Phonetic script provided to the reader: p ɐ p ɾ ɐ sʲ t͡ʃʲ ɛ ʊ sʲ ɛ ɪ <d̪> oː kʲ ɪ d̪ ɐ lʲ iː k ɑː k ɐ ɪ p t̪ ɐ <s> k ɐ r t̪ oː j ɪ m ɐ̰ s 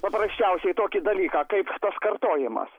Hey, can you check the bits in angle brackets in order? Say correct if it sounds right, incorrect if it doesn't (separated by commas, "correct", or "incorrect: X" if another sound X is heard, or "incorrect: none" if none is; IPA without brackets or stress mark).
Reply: incorrect: t̪, correct